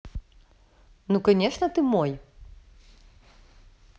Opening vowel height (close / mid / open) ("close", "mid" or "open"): close